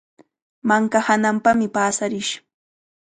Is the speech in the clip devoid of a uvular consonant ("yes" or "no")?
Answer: yes